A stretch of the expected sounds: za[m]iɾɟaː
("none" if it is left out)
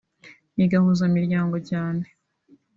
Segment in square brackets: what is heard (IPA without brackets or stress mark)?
m